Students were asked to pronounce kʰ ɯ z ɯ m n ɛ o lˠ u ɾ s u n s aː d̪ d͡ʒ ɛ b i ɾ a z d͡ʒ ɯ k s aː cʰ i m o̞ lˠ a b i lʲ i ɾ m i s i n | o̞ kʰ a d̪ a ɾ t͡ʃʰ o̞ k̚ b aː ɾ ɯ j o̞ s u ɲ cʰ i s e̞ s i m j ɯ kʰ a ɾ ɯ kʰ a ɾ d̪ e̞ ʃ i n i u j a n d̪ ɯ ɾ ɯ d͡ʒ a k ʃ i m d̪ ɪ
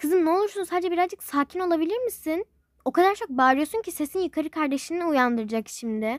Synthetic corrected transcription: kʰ ɯ z ɯ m n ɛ o lˠ u ɾ s u n s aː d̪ d͡ʒ ɛ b i ɾ a z d͡ʒ ɯ k s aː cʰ i n o̞ lˠ a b i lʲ i ɾ m i s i n | o̞ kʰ a d̪ a ɾ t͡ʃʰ o̞ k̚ b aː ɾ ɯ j o̞ s u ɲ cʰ i s e̞ s i n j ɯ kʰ a ɾ ɯ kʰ a ɾ d̪ e̞ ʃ i n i u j a n d̪ ɯ ɾ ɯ d͡ʒ a k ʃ i m d̪ ɪ